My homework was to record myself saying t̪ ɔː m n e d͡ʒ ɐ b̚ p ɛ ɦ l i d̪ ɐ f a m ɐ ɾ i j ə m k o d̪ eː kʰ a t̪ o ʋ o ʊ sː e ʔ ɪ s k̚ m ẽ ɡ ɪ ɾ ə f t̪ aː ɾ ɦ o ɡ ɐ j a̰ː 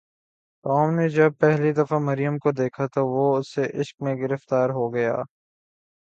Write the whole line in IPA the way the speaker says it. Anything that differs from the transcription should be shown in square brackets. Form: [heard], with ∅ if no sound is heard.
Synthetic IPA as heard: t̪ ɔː m n e d͡ʒ ɐ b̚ p ɛ ɦ l i d̪ ɐ f a m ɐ ɾ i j ə m k o d̪ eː kʰ a t̪ o ʋ o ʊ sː e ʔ ɪ [ʃ] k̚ m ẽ ɡ ɪ ɾ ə f t̪ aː ɾ ɦ o ɡ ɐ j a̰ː